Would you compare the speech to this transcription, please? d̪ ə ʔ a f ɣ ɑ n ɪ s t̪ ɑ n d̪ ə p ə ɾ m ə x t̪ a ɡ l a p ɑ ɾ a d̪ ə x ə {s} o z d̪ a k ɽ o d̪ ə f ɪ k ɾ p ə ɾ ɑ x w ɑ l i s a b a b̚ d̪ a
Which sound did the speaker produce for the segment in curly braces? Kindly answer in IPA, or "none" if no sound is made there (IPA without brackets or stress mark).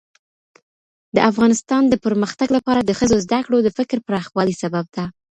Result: z